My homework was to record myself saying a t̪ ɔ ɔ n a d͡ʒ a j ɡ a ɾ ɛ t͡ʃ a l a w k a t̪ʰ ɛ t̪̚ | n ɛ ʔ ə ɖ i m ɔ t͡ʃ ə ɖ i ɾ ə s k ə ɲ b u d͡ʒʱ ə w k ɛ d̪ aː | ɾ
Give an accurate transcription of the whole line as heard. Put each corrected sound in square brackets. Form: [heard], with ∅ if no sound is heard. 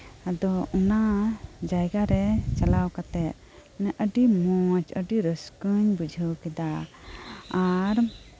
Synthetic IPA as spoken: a [d̪] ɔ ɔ n a d͡ʒ a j ɡ a ɾ ɛ t͡ʃ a l a w k a [t̪] ɛ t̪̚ | n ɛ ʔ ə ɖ i m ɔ t͡ʃ ə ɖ i ɾ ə s k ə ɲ b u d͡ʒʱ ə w k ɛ d̪ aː | ɾ

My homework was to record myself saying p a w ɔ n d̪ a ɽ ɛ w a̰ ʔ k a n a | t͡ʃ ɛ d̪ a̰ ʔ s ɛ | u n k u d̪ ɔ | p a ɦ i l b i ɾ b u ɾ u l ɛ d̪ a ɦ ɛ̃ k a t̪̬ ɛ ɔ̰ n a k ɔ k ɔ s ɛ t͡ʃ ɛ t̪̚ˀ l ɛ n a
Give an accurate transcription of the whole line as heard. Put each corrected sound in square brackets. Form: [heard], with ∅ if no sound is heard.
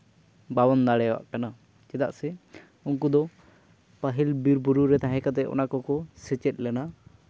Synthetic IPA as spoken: [b] a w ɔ n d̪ a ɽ ɛ w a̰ ʔ k a n a | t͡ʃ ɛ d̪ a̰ ʔ s ɛ | u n k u d̪ ɔ | p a ɦ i l b i ɾ b u ɾ u [ɾ] ɛ [t̪] a ɦ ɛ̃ k a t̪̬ ɛ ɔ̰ n a k ɔ k ɔ s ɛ t͡ʃ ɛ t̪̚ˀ l ɛ n a

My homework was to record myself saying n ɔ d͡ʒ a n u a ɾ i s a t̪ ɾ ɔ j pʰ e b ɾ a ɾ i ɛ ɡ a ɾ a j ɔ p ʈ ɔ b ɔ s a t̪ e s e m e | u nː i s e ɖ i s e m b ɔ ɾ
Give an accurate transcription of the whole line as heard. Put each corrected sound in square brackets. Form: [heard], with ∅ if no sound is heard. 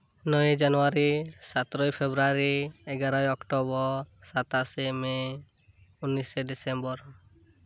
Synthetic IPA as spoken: n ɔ d͡ʒ a n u a ɾ i s a t̪ ɾ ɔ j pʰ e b ɾ a ɾ i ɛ ɡ a ɾ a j ɔ [k] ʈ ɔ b ɔ s a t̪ [a] s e m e | u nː i s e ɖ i s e m b ɔ ɾ

